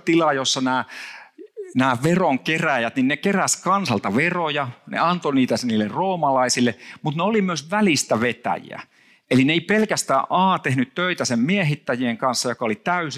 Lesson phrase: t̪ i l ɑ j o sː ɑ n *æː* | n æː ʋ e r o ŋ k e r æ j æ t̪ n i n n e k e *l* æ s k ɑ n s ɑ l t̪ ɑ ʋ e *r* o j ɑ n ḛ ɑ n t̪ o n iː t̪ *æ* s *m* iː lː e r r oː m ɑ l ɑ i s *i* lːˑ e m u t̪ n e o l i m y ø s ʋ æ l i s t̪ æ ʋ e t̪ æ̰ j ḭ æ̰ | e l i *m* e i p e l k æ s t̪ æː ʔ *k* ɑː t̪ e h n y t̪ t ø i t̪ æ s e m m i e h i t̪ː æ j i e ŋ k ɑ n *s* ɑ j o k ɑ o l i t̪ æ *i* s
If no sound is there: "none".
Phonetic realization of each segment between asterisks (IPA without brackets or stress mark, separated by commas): æː, r, r, æ, n, i, n, ʔ, sː, y